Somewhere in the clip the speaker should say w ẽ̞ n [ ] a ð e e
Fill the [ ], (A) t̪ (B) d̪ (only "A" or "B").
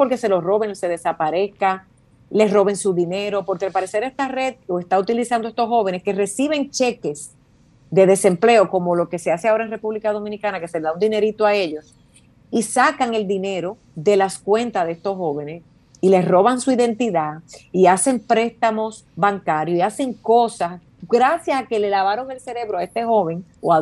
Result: A